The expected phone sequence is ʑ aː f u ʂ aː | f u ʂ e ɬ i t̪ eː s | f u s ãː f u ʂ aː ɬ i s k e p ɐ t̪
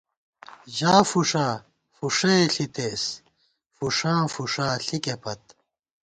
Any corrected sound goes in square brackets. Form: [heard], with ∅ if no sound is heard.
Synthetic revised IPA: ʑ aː f u ʂ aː | f u ʂ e ɬ i t̪ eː s | f u [ʂ] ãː f u ʂ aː ɬ i [∅] k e p ɐ t̪

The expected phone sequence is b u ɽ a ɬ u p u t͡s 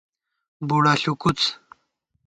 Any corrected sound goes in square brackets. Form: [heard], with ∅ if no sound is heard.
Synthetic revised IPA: b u ɽ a ɬ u [k] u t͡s

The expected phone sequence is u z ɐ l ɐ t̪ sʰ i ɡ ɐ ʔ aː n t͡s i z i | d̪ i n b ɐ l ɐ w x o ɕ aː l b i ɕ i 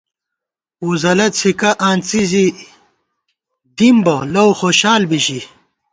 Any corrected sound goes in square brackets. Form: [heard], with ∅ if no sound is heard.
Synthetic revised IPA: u z ɐ l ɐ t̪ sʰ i [k] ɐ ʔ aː n t͡s i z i | d̪ i [m] b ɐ l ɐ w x o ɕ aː l b i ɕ i

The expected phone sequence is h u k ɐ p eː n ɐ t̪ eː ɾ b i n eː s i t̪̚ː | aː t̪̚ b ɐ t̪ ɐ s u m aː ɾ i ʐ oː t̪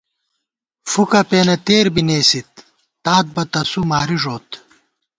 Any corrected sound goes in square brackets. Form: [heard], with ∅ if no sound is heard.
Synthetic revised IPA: [f] u k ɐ p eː n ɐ t̪ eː ɾ b i n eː s i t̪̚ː | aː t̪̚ b ɐ t̪ ɐ s u m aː ɾ i ʐ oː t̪

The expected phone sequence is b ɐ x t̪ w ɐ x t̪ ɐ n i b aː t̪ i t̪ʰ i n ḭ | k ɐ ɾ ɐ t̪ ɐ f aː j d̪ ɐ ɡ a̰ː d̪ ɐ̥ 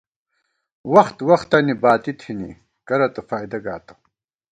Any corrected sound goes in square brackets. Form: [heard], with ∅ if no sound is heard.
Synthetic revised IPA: [w] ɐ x t̪ w ɐ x t̪ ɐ n i b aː t̪ i t̪ʰ i n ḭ | k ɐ ɾ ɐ t̪ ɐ f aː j d̪ ɐ ɡ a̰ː [t̪] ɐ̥

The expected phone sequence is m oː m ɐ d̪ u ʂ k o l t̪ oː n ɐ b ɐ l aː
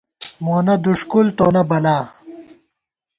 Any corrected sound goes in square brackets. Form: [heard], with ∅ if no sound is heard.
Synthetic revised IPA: m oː [n] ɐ d̪ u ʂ k [u] l t̪ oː n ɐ b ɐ l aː

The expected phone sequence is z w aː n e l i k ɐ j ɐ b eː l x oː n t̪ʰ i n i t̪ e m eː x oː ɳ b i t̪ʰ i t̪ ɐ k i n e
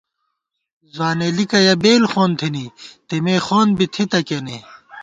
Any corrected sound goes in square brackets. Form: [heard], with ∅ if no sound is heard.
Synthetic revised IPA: z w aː n e l i k ɐ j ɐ b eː l x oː n t̪ʰ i n i t̪ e m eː x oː [n] b i t̪ʰ i t̪ ɐ k [e] n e

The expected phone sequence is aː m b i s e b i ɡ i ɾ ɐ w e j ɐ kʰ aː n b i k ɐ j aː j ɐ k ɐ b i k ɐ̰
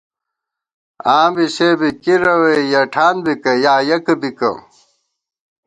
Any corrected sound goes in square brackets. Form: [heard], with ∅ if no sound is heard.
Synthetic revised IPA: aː m b i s e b i [k] i ɾ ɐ w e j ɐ [ʈʰ] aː n b i k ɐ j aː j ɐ k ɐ b i k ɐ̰

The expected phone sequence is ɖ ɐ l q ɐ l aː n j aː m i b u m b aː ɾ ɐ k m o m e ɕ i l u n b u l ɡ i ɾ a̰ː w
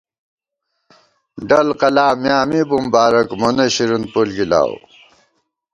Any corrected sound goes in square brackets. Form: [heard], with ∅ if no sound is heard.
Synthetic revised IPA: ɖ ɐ l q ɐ l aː [m] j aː m i b u m b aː ɾ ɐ k m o [n] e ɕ i [ɾ] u n [p] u l ɡ i [l] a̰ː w

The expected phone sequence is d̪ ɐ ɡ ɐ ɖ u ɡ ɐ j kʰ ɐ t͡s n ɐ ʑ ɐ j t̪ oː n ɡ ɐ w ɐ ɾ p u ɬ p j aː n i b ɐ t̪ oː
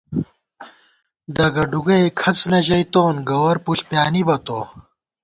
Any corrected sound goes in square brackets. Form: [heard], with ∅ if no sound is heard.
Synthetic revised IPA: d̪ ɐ ɡ ɐ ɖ u ɡ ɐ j kʰ ɐ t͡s n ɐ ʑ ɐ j t̪ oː n ɡ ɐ w ɐ ɾ p u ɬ p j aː n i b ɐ t̪ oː

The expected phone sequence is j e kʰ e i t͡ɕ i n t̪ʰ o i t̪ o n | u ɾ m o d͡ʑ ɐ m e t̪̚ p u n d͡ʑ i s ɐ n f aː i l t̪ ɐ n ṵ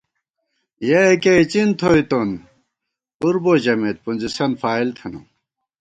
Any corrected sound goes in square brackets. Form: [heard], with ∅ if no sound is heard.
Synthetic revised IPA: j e [k] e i t͡ɕ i n t̪ʰ o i t̪ o n | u ɾ [b] o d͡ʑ ɐ m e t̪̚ p u n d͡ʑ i s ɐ n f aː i l [t̪ʰ] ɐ n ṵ

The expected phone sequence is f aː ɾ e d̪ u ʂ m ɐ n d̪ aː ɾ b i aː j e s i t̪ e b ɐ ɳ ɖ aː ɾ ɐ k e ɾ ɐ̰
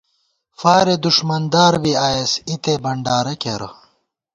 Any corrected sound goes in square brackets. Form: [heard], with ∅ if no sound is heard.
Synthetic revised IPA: f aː ɾ e d̪ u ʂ m ɐ n d̪ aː ɾ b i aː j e s i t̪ e b ɐ ɳ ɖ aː ɾ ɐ k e ɾ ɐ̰

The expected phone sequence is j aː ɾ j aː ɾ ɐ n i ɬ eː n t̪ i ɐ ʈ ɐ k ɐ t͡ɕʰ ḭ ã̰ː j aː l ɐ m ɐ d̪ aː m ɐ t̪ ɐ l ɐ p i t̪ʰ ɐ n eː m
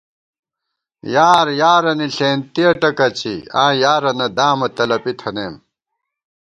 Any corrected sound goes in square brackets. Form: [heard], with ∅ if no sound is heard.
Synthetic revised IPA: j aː ɾ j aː ɾ ɐ n i ɬ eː n t̪ i ɐ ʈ ɐ k ɐ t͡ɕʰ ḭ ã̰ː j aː [ɾ] ɐ [n] ɐ d̪ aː m ɐ t̪ ɐ l ɐ p i t̪ʰ ɐ n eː m

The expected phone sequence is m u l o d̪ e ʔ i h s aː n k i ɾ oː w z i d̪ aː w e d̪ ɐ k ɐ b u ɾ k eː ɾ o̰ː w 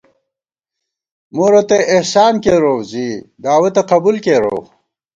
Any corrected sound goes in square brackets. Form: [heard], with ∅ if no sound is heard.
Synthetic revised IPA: m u [ɾ] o [t̪] e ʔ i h s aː n k [e] ɾ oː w z i d̪ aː w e [t̪] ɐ [q] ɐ b u [l] k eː ɾ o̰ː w

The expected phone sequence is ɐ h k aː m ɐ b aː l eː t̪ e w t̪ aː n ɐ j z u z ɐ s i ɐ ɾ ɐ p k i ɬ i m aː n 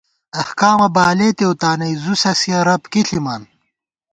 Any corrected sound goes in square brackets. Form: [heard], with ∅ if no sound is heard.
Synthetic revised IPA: ɐ h k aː m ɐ b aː l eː t̪ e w t̪ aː n ɐ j z u [s] ɐ s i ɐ ɾ ɐ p k i ɬ i m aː n

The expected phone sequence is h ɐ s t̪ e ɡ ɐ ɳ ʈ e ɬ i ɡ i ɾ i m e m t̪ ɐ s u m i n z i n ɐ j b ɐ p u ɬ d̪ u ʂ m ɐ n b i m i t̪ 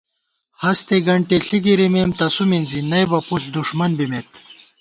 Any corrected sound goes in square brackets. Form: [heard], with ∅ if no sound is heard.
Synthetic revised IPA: h ɐ s t̪ e ɡ ɐ ɳ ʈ e ɬ i ɡ i ɾ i m e m t̪ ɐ s u m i n z i n ɐ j b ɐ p u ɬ d̪ u ʂ m ɐ n b i m [e] t̪

